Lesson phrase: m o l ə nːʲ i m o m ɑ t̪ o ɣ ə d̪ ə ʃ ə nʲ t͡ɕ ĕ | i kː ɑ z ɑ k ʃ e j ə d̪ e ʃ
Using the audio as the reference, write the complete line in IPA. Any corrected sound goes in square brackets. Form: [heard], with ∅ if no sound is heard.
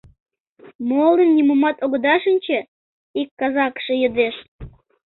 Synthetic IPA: m o l ə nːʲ i m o m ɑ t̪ o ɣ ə d̪ [ɑ] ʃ ə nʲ t͡ɕ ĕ | i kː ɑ z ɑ k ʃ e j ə d̪ e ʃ